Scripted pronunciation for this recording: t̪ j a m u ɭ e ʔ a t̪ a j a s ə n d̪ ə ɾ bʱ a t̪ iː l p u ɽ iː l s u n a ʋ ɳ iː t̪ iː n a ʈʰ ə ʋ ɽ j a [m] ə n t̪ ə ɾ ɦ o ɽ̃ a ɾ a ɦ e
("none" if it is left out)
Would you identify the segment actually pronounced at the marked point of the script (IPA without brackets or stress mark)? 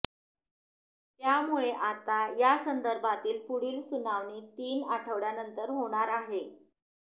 n